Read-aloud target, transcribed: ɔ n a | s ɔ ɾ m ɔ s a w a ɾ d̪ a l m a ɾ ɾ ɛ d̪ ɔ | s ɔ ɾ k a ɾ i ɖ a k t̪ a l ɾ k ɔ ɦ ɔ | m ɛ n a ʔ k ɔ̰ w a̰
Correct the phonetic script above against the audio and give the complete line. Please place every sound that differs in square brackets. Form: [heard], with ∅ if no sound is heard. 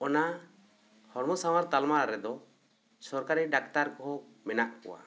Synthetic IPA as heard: ɔ n a | [h] ɔ ɾ m ɔ s a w a ɾ [t̪] a l m a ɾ ɾ ɛ d̪ ɔ | s ɔ ɾ k a ɾ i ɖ a k t̪ a [∅] ɾ k ɔ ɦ ɔ | m ɛ n a ʔ k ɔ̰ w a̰